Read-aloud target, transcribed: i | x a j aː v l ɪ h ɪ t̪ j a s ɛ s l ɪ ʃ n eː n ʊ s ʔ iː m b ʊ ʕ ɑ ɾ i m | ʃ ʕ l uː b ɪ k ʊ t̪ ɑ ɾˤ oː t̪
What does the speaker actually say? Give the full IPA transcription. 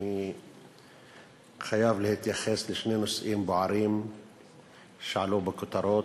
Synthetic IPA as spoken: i | x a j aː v l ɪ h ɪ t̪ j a x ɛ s l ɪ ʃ n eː n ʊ s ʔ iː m b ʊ ʕ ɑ ɾ iː m | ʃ ʕ l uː b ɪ k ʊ t̪ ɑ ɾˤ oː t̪